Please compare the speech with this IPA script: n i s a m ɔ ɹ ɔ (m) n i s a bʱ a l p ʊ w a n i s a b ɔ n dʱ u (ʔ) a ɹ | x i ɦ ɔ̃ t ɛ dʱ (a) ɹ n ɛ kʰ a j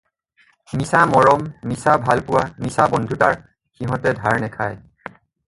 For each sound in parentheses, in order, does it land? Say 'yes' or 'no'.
yes, no, yes

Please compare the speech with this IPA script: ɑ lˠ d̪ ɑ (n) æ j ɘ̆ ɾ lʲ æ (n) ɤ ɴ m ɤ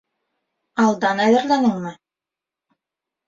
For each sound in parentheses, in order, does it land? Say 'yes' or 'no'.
yes, yes

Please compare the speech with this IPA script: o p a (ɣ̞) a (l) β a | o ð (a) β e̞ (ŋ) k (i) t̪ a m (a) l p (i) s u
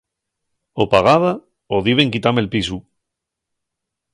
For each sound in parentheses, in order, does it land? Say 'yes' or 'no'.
yes, no, no, yes, yes, no, yes

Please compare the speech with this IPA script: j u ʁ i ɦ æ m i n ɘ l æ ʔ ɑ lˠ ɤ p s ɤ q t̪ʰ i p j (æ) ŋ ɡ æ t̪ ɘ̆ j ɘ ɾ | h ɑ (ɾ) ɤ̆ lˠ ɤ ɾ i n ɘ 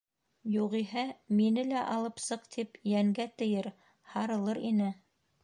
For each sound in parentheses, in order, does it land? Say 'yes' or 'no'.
yes, yes

